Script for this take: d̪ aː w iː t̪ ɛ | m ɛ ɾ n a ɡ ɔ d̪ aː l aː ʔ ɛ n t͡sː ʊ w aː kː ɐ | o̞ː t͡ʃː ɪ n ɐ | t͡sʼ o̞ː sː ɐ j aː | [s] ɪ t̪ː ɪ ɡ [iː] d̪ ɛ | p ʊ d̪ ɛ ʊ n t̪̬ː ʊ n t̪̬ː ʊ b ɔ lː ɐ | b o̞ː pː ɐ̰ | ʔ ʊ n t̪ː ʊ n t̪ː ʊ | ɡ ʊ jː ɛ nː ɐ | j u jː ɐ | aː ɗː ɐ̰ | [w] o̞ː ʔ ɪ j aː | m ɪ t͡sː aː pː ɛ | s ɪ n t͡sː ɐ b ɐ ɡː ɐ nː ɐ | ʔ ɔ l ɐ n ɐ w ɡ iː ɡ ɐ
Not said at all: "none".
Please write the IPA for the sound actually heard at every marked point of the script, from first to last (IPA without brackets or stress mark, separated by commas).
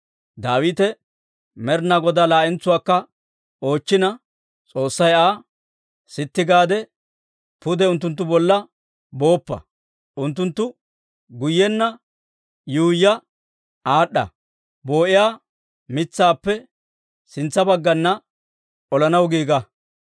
s, aː, b